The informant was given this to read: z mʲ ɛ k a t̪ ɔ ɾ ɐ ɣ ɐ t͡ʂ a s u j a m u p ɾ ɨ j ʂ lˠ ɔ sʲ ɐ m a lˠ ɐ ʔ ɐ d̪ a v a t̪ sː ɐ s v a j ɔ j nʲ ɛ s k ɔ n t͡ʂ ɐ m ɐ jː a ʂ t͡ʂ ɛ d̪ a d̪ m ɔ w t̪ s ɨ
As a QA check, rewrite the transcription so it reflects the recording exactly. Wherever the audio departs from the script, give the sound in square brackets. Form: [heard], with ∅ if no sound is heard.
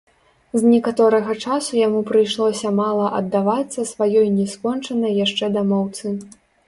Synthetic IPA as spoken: z [nʲ] ɛ k a t̪ ɔ ɾ ɐ ɣ ɐ t͡ʂ a s u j a m u p ɾ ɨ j ʂ lˠ ɔ sʲ ɐ m a lˠ ɐ ʔ ɐ [d̪ː] a v a t̪ sː ɐ s v a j ɔ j nʲ ɛ s k ɔ n t͡ʂ ɐ [n] ɐ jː a ʂ t͡ʂ ɛ d̪ a [∅] m ɔ w t̪ s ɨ